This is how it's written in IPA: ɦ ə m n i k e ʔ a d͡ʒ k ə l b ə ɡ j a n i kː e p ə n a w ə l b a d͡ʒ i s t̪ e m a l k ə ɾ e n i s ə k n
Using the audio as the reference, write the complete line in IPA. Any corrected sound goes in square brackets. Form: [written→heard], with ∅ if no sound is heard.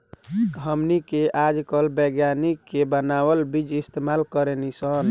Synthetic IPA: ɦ ə m n i k e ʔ a d͡ʒ k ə l b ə ɡ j a n i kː e [p→b] ə n a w ə l b [a→i] d͡ʒ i s t̪ e m a l k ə ɾ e n i s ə [k→∅] n